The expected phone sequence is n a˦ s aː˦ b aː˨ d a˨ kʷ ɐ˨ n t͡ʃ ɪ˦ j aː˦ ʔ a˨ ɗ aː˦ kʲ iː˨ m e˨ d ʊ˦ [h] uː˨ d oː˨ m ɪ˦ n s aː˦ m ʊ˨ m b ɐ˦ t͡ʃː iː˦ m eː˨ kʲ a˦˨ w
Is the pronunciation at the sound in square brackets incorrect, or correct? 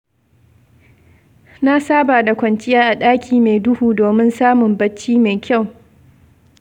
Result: correct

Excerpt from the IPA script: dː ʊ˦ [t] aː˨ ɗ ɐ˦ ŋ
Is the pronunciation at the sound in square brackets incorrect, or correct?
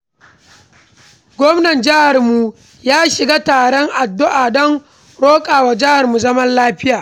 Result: incorrect: ʔ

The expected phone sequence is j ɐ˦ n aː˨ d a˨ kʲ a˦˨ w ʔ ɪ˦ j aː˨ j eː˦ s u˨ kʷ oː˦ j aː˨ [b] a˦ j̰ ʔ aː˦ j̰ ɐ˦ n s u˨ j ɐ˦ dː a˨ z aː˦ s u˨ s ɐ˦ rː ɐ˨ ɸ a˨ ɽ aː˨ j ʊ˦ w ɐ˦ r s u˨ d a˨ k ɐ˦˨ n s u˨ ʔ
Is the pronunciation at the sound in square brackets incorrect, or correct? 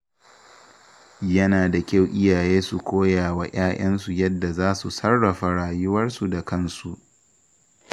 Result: incorrect: w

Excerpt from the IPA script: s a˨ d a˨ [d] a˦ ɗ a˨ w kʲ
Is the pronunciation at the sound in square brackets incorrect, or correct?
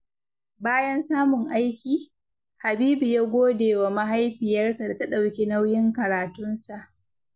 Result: incorrect: t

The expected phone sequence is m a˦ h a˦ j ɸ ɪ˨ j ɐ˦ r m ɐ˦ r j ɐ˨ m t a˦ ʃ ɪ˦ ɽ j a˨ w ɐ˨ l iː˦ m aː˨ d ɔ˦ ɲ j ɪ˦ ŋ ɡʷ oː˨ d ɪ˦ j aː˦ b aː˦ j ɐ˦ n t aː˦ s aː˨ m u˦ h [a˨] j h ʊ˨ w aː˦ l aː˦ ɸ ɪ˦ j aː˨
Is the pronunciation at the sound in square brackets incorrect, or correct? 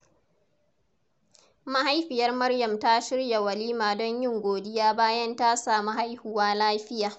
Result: incorrect: a˦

